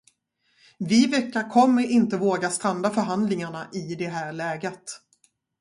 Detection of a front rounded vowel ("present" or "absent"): present